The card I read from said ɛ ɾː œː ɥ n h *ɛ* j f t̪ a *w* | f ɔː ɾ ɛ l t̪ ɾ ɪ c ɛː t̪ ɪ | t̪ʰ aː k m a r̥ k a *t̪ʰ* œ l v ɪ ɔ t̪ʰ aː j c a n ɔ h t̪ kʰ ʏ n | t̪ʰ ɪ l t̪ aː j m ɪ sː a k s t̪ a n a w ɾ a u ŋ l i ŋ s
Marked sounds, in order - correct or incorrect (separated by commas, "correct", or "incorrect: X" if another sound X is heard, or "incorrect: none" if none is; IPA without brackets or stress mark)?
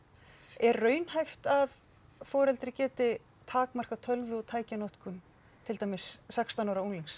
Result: incorrect: a, incorrect: v, correct